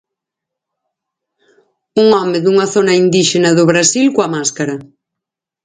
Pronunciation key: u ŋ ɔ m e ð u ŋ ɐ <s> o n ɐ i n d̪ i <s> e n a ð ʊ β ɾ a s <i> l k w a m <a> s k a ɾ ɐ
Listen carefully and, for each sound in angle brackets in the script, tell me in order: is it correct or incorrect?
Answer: incorrect, incorrect, correct, correct

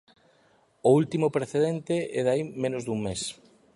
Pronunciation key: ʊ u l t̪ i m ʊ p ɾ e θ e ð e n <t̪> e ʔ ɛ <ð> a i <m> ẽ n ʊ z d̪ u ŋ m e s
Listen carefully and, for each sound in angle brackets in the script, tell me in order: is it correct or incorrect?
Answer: correct, correct, correct

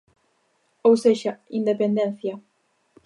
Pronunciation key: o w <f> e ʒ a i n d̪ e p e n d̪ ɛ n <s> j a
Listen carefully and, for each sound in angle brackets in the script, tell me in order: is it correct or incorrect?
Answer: incorrect, incorrect

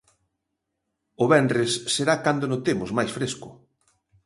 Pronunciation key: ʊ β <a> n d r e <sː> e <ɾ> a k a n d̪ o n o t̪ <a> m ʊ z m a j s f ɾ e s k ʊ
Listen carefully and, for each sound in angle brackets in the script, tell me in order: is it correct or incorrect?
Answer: incorrect, correct, correct, incorrect

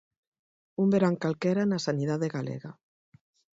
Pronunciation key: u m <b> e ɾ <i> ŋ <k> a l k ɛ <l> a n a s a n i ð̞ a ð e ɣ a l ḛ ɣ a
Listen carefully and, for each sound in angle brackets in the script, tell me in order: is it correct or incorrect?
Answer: correct, incorrect, correct, incorrect

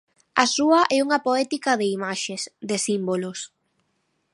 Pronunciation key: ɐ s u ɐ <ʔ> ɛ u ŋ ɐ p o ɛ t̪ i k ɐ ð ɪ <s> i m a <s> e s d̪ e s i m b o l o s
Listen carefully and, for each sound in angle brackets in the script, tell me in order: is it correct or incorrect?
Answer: correct, incorrect, incorrect

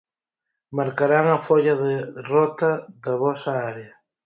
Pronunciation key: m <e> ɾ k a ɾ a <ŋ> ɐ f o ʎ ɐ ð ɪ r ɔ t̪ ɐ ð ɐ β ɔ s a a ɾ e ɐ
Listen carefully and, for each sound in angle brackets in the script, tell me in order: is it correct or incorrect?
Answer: incorrect, correct

